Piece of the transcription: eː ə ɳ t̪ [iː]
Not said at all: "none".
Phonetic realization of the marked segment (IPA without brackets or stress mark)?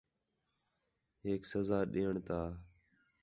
aː